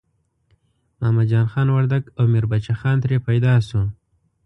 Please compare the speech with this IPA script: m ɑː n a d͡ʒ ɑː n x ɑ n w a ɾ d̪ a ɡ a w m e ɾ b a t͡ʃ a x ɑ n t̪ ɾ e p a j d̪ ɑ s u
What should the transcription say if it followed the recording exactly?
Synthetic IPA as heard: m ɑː m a d͡ʒ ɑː n x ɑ n w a ɾ d̪ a ɡ a w m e ɾ b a t͡ʃ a x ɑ n t̪ ɾ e p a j d̪ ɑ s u